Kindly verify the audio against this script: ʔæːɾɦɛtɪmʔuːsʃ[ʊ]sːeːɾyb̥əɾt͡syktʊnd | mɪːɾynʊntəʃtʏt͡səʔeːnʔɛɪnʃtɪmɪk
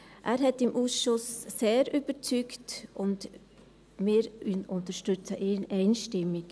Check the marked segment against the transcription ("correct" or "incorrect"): correct